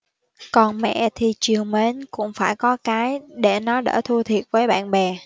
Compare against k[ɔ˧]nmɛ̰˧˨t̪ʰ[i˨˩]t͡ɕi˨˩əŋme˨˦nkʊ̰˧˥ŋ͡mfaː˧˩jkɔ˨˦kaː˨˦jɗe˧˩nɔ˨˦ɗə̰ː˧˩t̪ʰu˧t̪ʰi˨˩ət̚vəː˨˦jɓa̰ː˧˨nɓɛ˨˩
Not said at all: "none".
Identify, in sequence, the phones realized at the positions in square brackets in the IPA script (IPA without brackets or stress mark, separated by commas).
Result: ɔ˨˩, i˨˩